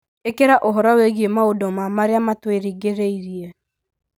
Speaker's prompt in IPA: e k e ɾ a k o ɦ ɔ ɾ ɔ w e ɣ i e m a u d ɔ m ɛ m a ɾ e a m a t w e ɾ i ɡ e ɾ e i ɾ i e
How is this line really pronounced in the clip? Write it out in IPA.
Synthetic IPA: e k e ɾ a ʔ o ɦ ɔ ɾ ɔ w e ɣ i e m a o d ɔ m a m a ɾ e a m a t w e ɾ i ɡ e ɾ e i ɾ i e